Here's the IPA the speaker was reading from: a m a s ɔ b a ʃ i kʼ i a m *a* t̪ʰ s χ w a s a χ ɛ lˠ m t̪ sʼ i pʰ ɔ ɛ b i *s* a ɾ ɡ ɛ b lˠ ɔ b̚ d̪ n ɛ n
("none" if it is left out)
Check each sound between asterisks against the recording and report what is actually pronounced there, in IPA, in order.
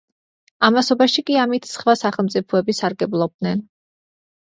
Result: i, s

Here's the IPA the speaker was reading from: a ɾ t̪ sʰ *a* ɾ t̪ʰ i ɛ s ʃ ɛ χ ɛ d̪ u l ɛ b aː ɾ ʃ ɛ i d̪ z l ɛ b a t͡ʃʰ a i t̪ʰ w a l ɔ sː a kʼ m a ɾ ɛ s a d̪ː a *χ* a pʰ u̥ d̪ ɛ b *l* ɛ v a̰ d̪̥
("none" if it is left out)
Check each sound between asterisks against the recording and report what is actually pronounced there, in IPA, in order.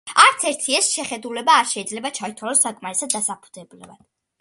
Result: ɛ, s, l

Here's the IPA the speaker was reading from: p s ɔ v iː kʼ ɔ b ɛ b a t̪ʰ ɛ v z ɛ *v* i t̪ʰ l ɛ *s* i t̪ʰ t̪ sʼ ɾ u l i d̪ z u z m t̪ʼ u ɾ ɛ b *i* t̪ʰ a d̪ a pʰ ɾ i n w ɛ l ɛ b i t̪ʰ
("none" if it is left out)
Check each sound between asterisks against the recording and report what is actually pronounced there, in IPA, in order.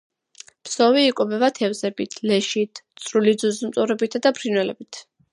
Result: b, ʃ, i

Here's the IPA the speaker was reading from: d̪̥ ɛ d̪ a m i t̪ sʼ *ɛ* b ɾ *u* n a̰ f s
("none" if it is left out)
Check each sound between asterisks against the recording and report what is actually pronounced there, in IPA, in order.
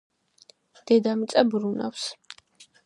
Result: a, u

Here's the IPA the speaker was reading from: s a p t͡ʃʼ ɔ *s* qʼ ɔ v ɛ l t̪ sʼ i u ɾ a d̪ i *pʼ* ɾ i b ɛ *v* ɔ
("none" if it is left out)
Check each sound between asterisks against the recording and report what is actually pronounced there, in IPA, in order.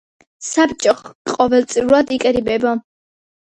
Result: χ, kʼ, b

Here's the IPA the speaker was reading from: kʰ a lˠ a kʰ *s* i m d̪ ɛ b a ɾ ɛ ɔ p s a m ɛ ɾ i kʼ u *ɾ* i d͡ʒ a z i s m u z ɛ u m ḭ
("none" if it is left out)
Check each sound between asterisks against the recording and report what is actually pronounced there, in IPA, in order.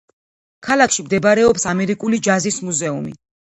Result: ʃ, l

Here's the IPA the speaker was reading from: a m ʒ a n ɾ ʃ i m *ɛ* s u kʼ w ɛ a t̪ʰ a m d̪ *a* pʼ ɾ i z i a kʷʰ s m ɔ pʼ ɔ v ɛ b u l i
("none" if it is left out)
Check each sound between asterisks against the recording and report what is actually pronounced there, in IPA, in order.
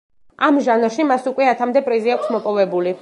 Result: a, ɛ

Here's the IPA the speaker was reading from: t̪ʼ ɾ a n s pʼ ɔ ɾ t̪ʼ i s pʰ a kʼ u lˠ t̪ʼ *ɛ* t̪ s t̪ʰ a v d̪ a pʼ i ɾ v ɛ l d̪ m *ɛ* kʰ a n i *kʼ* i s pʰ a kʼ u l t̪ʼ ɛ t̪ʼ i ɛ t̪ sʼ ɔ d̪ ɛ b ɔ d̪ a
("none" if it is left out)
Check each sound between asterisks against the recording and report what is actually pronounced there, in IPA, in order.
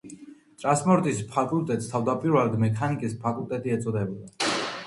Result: ɛ, ɛ, kʼ

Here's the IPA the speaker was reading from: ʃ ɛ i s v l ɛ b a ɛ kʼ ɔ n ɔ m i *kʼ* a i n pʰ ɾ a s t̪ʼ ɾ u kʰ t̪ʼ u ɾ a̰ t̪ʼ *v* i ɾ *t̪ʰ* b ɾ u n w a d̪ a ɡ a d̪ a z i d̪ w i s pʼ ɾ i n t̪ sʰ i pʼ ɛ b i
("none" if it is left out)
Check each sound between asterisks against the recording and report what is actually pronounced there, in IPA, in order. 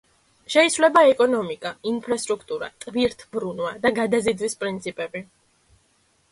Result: kʼ, v, t̪ʰ

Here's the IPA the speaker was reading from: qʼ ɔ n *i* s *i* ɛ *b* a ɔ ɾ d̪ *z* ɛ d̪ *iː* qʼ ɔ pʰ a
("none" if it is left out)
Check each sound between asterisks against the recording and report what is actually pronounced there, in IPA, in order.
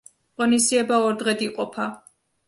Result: i, i, b, ʁ, i

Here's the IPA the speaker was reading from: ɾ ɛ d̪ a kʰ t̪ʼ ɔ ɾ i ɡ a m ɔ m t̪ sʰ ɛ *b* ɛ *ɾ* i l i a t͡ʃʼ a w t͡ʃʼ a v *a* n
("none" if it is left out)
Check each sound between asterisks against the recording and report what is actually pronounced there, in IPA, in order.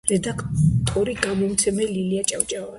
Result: m, l, a

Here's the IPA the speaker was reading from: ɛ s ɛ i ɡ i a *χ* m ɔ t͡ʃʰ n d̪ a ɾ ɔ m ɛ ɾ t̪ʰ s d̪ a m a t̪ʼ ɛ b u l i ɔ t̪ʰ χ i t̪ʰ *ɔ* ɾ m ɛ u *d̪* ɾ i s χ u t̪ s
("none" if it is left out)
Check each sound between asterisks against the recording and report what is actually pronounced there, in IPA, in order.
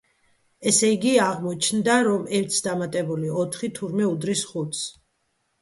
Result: ʁ, u, d̪

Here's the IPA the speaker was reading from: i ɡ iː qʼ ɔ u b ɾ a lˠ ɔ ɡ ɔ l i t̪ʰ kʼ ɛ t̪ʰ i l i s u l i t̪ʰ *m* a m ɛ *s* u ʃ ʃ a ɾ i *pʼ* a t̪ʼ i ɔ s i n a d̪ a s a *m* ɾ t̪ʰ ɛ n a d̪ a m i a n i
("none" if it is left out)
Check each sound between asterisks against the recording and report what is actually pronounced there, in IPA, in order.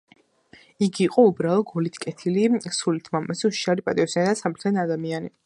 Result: m, s, pʼ, m

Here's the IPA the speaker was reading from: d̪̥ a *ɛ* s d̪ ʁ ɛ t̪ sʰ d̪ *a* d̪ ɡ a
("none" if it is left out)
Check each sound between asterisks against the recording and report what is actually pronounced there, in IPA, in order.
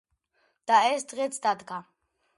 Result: ɛ, a

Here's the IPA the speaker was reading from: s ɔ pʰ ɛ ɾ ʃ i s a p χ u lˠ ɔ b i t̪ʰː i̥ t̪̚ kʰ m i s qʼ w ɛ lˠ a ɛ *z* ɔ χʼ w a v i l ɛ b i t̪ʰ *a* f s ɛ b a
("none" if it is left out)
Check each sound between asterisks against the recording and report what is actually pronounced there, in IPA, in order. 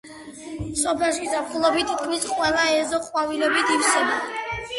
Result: z, i

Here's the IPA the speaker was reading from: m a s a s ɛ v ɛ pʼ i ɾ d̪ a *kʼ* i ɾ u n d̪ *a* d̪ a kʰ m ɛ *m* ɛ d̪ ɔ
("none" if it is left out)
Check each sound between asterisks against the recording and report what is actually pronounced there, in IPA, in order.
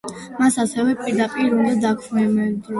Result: pʼ, a, m

